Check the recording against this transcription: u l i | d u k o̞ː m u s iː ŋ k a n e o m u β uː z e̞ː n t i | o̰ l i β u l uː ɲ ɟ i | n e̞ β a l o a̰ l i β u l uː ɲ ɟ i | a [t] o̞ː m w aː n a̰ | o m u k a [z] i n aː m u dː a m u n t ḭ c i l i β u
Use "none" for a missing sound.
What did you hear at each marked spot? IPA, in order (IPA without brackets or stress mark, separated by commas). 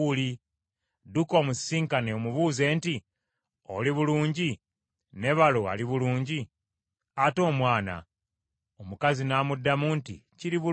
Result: t, z